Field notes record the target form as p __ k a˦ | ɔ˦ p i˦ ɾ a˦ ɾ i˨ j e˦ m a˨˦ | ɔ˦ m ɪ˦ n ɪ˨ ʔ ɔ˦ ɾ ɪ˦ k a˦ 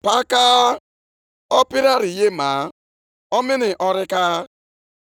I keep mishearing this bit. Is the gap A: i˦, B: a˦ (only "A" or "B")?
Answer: B